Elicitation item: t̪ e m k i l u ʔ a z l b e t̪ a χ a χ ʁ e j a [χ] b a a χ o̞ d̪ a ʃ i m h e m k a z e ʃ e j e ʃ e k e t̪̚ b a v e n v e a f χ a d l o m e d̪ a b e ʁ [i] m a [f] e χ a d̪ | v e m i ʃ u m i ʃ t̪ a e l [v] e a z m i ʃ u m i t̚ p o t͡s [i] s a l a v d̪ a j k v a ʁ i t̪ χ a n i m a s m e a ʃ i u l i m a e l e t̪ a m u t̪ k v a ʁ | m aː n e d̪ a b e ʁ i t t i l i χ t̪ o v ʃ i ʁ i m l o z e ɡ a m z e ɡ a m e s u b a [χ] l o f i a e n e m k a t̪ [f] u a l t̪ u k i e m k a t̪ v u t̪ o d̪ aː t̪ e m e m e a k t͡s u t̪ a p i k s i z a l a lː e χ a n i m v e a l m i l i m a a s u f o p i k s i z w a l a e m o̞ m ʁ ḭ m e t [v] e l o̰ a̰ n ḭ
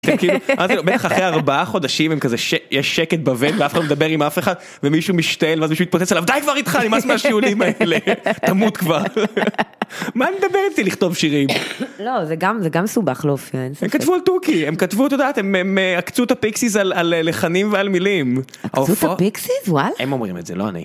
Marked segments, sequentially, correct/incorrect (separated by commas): incorrect, correct, correct, correct, incorrect, correct, incorrect, incorrect